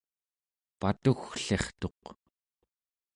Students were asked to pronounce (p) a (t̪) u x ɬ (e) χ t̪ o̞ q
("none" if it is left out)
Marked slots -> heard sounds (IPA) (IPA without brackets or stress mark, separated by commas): p, t̪, e